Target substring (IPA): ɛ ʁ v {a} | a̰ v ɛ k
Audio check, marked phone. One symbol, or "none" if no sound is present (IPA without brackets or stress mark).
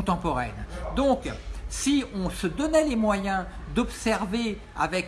e